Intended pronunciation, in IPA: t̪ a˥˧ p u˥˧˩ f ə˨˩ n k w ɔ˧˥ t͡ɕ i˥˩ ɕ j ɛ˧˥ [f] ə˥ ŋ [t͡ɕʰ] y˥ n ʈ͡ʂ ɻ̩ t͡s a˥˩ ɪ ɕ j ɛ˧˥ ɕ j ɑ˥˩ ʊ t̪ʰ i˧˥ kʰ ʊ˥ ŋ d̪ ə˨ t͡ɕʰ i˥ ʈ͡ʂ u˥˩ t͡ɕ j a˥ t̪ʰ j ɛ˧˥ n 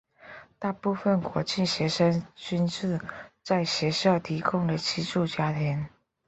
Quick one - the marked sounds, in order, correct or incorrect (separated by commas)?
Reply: incorrect, incorrect